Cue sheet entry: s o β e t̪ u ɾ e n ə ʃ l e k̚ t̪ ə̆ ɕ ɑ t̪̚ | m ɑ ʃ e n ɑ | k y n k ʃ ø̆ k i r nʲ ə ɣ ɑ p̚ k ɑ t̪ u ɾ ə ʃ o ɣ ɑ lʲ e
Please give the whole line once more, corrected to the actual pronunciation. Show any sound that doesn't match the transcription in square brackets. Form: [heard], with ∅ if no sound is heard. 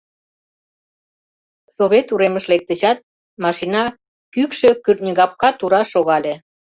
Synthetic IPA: s o β e t̪ u ɾ e [m] ə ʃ l e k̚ t̪ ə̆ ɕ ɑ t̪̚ | m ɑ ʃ [i] n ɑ | k y [∅] k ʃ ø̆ k [y] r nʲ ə ɣ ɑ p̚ k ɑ t̪ u ɾ [ɑ] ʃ o ɣ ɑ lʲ e